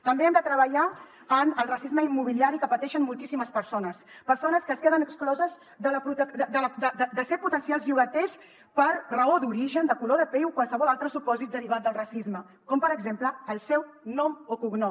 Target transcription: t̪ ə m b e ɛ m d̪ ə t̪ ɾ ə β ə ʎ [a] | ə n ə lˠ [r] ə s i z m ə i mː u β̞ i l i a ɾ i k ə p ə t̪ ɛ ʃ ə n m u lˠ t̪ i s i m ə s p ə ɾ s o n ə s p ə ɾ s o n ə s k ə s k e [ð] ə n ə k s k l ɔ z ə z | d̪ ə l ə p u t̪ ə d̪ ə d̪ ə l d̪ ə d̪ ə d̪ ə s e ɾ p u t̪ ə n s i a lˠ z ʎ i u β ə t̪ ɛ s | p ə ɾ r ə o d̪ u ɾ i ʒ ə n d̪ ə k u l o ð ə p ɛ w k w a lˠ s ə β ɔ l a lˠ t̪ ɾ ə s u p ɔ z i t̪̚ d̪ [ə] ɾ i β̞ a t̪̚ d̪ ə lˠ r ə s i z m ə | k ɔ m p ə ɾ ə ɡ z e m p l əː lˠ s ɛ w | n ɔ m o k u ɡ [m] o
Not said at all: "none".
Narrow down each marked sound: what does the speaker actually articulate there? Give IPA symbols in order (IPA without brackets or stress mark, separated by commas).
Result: a, r, ð, ə, n